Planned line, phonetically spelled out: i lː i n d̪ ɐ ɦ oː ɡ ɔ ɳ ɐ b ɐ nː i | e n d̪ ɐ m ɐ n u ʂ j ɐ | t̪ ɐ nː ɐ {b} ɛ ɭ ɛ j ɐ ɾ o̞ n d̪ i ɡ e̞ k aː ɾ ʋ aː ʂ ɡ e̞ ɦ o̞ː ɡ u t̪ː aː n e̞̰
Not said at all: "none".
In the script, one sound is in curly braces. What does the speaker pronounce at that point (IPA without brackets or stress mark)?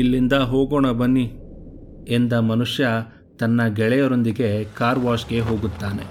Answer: ɡ